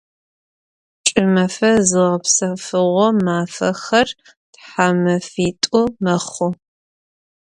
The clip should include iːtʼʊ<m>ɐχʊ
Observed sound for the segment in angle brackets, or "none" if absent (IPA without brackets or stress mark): m